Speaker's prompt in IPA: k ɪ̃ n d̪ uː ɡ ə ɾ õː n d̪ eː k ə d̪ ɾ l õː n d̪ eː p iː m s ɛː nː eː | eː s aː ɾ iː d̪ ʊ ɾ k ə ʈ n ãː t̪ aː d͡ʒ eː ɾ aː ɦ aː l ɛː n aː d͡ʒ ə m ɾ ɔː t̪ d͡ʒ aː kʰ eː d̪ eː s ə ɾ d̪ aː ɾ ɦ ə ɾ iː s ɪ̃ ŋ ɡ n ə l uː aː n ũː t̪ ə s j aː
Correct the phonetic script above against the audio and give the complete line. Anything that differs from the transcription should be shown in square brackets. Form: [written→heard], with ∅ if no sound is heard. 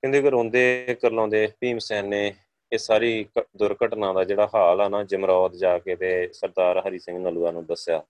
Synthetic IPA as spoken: k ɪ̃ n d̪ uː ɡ ə ɾ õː n d̪ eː k ə [d̪→∅] ɾ l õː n d̪ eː p iː m s ɛː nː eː | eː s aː ɾ iː d̪ ʊ ɾ k ə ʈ n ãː [t̪→d̪] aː d͡ʒ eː [ɾ→ɽ] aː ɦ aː l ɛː n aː d͡ʒ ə m ɾ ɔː t̪ d͡ʒ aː [kʰ→k] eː [d̪→t̪] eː s ə ɾ d̪ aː ɾ ɦ ə ɾ iː s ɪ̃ ŋ ɡ n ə l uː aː n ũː [t̪→d̪] ə s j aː